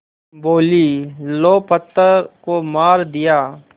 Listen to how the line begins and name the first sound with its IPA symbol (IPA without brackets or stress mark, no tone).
b